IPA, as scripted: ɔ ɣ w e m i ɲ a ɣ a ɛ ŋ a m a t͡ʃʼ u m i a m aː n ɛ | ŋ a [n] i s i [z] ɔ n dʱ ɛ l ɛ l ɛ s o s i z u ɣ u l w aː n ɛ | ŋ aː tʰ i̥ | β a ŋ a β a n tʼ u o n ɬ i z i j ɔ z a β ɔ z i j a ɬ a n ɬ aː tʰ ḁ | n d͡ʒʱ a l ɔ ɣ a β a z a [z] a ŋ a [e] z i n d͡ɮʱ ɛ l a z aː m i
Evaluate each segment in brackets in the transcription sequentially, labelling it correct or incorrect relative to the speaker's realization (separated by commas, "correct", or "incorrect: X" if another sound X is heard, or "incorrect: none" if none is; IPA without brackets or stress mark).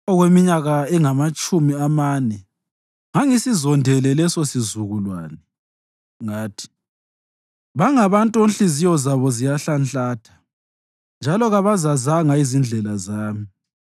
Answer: incorrect: ŋ, correct, correct, incorrect: i